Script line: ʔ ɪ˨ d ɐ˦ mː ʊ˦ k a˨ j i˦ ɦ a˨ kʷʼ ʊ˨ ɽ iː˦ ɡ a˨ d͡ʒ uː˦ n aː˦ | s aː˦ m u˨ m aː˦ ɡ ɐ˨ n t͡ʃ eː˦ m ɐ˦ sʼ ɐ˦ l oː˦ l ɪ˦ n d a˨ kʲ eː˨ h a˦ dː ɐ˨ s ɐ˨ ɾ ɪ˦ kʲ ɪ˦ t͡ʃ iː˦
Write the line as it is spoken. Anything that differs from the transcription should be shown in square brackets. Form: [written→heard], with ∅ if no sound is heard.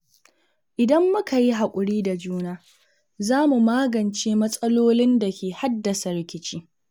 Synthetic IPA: ʔ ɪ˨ d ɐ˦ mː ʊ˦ k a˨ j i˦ ɦ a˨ kʷʼ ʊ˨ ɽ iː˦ [ɡ→d] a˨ d͡ʒ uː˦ n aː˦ | [s→z] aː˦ m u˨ m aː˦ ɡ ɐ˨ n t͡ʃ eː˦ m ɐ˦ sʼ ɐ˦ l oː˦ l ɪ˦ n d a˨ kʲ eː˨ h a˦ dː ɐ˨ s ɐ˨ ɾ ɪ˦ kʲ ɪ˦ t͡ʃ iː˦